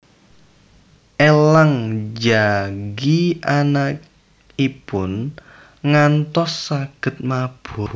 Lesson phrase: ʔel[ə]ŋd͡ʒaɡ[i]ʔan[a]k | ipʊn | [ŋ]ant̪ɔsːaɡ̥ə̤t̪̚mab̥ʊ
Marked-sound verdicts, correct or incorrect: incorrect: a, correct, correct, correct

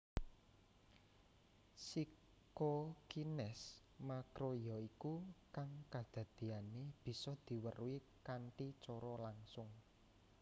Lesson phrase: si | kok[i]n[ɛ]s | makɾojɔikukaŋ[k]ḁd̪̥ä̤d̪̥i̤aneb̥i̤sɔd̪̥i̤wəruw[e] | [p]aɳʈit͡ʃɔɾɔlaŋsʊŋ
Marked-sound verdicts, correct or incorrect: correct, correct, correct, incorrect: i, incorrect: k

